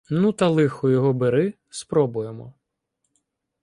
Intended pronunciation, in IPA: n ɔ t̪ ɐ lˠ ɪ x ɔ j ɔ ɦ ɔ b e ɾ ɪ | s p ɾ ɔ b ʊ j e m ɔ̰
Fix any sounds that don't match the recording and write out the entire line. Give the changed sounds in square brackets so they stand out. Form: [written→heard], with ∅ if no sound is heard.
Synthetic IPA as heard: n [ɔ→u] t̪ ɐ lˠ ɪ x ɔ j ɔ ɦ ɔ b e ɾ ɪ | s p ɾ ɔ b ʊ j e m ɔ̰